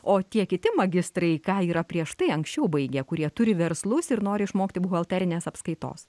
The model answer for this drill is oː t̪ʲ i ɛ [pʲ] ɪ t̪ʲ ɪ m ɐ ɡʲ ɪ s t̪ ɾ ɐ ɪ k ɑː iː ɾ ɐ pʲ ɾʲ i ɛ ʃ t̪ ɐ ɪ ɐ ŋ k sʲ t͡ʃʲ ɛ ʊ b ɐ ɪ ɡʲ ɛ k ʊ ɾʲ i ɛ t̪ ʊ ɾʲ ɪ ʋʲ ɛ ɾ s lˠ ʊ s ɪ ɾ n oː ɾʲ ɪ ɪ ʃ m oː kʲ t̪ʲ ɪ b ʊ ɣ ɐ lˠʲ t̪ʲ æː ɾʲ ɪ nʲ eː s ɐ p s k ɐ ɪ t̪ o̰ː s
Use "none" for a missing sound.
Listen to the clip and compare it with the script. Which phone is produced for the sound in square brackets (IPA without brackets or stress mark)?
kʲ